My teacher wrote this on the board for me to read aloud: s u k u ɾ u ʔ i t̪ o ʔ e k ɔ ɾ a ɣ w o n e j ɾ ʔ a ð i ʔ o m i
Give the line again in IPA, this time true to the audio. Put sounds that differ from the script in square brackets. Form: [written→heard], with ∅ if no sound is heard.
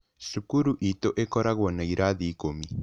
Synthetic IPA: s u k u ɾ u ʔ i t̪ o ʔ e k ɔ ɾ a ɣ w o n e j ɾ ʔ a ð i [ʔ→k] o m i